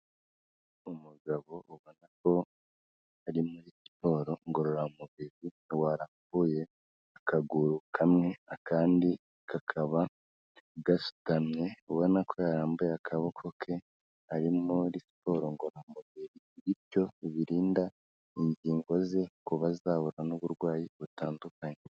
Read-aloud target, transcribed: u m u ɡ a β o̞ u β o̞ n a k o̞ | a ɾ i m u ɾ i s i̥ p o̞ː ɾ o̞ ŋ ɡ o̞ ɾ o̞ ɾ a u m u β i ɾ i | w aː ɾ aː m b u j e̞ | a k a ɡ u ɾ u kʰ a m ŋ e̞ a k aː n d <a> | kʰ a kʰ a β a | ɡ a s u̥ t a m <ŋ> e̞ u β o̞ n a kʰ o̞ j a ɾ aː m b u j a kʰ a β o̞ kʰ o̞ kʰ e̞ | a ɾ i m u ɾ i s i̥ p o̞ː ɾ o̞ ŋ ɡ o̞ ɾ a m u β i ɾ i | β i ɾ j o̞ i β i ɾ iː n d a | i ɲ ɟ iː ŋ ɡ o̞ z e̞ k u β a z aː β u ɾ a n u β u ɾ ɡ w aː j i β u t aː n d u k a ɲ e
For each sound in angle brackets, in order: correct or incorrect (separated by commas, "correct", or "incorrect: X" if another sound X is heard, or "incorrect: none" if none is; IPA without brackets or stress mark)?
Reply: incorrect: i, incorrect: ɲ